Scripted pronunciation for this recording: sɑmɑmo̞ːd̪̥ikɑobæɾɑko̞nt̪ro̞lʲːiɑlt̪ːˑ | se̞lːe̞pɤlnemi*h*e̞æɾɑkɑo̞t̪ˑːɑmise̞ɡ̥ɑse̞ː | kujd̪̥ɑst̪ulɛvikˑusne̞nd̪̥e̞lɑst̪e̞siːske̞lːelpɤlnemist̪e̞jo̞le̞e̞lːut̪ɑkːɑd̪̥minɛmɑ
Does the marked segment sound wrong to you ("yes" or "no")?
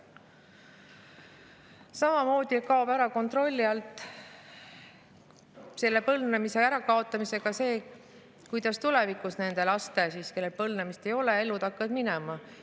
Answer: yes